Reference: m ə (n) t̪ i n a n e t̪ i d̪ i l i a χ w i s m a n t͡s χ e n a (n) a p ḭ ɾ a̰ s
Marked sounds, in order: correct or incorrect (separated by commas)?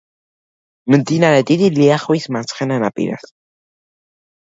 correct, correct